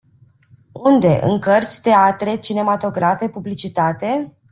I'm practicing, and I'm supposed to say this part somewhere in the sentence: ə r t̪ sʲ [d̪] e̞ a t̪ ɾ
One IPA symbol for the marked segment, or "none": t̪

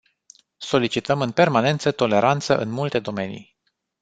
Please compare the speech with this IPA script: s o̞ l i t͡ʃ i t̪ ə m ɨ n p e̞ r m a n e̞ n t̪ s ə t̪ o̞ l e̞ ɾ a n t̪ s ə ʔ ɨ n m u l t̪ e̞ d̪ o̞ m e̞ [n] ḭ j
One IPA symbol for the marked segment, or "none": n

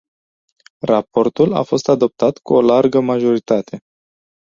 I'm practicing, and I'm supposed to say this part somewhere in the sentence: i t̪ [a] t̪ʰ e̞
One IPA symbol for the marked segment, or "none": a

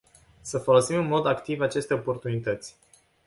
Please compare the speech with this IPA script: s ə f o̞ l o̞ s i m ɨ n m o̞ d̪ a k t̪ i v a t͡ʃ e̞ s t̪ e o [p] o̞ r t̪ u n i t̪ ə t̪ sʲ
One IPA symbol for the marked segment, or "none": p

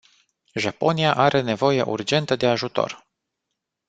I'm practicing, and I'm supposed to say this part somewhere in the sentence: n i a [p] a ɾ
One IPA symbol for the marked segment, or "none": ʔ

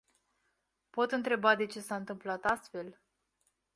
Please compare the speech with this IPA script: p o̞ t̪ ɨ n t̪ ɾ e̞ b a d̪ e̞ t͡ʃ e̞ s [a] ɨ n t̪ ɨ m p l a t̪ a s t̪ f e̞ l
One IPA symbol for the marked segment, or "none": a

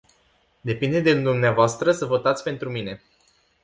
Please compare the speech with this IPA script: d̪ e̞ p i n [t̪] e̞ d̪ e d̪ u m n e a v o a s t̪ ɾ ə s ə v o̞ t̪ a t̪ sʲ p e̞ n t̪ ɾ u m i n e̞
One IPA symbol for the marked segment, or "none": d̪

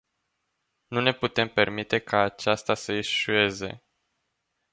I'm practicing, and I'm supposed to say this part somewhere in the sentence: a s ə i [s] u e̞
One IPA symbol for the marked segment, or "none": ʃ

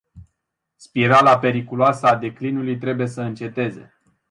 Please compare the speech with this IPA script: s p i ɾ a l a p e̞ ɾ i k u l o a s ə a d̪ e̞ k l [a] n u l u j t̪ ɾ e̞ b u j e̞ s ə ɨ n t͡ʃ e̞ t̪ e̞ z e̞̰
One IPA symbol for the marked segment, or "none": i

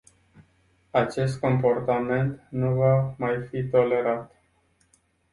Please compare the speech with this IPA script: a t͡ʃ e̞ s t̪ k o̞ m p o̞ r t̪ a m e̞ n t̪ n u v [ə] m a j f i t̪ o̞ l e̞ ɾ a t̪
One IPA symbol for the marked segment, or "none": a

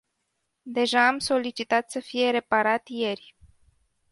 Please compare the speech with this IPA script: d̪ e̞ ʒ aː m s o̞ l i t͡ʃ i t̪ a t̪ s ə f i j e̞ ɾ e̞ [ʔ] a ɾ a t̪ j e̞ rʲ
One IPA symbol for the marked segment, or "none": p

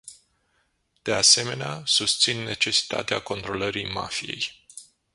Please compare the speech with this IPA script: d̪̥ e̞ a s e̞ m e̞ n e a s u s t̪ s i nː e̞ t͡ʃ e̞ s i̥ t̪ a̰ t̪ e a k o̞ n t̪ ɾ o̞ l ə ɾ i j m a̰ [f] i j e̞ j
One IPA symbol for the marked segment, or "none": f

